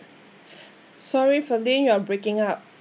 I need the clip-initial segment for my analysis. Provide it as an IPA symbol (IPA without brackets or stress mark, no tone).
s